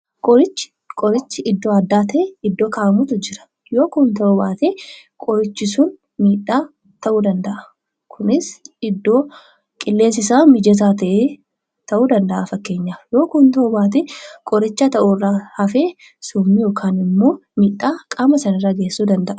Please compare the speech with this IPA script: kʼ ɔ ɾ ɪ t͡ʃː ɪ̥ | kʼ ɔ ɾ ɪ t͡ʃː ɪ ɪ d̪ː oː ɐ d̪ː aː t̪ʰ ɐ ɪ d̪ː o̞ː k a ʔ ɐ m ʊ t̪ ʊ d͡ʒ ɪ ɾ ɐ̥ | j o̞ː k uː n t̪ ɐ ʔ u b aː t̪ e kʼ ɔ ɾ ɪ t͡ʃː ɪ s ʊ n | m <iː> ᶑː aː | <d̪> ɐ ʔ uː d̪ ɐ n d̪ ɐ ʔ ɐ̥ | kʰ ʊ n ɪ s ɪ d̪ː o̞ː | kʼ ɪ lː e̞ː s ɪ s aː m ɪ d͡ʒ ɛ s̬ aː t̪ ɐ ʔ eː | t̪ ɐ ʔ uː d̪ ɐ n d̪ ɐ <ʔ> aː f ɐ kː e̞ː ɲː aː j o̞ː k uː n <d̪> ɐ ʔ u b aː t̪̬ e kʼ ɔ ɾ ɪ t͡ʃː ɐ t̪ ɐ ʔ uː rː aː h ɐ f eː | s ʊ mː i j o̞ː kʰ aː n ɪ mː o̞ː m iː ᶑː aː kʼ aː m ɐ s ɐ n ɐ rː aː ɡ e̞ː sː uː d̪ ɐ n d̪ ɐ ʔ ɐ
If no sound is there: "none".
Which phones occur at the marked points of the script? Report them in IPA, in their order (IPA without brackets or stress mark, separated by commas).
iː, t̪, ʔ, t̪